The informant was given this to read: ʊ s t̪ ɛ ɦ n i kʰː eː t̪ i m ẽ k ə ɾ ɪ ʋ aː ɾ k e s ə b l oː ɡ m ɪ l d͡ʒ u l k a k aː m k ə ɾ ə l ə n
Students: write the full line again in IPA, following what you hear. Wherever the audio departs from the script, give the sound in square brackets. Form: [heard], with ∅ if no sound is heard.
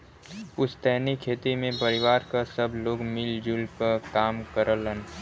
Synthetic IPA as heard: ʊ s t̪ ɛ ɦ n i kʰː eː t̪ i m ẽ [p] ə ɾ ɪ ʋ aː ɾ k [a] s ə b l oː ɡ m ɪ l d͡ʒ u l k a k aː m k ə ɾ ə l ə n